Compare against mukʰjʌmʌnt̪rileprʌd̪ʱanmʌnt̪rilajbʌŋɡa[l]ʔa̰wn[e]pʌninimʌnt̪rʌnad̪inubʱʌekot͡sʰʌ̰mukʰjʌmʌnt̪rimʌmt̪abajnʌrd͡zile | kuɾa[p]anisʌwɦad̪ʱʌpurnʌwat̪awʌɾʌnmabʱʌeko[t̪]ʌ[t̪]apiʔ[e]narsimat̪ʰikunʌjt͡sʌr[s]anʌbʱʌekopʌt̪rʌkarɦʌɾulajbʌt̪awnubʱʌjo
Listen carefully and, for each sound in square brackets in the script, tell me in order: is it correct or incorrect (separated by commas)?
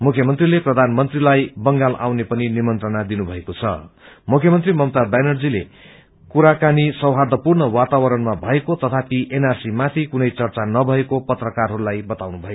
correct, correct, incorrect, correct, incorrect, correct, incorrect